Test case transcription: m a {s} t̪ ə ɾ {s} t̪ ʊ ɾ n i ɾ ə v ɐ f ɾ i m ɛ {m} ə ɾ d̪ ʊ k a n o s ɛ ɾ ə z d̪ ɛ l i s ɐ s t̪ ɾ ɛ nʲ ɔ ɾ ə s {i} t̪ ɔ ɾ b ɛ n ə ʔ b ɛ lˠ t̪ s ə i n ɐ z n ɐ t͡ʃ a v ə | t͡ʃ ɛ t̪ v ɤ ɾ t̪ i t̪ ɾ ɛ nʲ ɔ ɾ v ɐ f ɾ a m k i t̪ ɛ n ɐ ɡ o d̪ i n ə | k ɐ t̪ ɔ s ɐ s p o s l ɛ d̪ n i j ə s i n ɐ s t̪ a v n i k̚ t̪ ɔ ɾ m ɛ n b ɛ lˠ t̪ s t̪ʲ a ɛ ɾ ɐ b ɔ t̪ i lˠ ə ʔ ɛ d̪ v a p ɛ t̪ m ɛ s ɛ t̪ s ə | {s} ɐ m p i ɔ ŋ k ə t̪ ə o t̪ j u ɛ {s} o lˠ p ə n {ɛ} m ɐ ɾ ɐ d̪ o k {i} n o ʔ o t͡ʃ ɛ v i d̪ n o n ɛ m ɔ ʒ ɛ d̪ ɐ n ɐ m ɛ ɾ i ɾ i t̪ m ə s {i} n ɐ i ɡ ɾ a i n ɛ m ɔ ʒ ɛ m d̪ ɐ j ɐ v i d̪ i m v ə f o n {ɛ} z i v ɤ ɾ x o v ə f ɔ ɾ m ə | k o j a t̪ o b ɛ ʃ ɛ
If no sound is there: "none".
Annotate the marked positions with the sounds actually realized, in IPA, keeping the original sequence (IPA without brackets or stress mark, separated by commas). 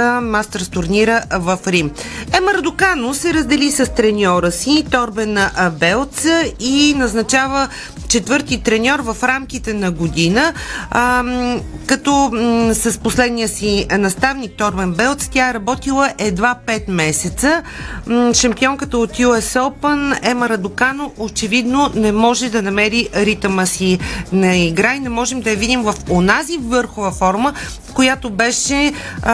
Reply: s, s, m, i, ʃ, s, ɛ, a, i, a